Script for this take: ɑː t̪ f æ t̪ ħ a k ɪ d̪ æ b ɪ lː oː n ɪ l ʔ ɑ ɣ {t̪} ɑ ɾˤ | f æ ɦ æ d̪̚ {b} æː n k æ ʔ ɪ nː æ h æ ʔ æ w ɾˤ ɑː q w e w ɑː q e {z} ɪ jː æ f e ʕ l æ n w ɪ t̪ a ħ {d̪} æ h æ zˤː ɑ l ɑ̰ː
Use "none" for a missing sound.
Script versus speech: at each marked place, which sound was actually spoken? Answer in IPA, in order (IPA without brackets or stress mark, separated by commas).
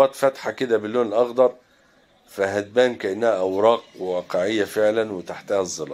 d̪, b, ʕ, t̪